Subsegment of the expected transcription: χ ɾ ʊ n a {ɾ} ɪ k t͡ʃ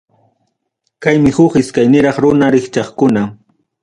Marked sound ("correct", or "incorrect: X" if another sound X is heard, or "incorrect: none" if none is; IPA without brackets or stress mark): correct